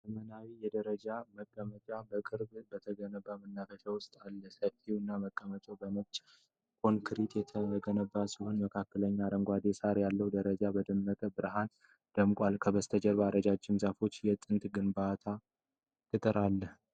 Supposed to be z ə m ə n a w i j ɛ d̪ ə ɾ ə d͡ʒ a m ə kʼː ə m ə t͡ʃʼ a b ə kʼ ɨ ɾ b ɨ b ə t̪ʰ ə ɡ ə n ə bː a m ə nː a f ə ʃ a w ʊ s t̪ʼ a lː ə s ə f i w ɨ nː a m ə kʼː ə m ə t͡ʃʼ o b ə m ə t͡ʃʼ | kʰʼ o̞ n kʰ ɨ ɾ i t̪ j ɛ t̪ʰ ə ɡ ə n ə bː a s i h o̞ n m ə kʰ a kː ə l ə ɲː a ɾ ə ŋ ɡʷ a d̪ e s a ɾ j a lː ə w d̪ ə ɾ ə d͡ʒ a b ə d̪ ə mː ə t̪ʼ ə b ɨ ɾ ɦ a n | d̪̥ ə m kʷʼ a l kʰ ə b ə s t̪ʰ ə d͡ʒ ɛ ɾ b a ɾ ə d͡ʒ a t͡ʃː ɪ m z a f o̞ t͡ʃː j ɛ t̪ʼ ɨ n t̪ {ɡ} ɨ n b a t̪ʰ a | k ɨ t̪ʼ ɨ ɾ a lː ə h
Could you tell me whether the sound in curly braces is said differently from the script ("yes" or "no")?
no